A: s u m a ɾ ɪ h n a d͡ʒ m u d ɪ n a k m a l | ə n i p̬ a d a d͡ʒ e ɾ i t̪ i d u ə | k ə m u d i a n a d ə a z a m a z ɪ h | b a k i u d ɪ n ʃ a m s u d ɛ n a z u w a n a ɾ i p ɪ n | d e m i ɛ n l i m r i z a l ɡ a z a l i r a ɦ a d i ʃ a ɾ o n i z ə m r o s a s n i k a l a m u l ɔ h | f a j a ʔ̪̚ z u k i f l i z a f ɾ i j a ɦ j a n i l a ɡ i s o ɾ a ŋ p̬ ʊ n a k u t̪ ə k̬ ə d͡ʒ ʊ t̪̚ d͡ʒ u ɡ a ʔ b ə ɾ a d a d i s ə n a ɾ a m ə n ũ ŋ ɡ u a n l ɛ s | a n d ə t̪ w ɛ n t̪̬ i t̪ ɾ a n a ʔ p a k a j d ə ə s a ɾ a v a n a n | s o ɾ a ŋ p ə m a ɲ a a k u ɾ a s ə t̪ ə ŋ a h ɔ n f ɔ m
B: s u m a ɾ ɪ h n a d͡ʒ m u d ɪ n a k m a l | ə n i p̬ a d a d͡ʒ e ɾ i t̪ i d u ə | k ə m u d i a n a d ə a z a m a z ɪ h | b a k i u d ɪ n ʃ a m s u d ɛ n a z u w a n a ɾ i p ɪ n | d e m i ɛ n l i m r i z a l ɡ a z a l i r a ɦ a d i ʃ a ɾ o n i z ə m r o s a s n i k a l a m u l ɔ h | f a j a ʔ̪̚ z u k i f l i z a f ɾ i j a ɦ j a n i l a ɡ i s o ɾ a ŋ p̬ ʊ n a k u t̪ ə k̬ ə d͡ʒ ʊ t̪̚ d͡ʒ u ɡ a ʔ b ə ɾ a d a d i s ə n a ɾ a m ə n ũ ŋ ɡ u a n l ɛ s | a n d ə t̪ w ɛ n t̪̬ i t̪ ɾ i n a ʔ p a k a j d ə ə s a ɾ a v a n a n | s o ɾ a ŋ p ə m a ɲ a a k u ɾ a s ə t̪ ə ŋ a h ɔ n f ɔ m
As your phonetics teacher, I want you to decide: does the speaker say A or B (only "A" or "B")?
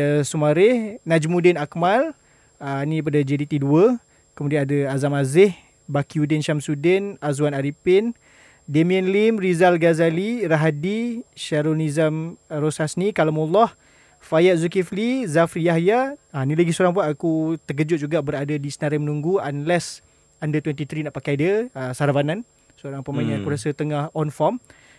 B